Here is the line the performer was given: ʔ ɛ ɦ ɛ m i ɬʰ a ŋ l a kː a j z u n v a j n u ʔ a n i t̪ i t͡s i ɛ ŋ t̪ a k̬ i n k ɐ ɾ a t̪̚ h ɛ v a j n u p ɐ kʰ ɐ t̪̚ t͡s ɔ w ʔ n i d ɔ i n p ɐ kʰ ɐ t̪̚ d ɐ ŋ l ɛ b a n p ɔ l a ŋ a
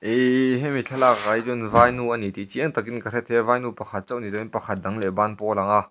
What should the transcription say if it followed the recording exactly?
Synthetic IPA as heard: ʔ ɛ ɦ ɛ m i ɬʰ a l a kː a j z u n v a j n u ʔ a n i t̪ i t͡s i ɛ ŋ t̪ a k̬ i n k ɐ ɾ ɛ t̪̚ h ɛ v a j n u p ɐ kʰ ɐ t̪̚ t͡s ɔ w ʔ n i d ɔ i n p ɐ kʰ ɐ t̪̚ d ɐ ŋ l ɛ b a n p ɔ l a ŋ a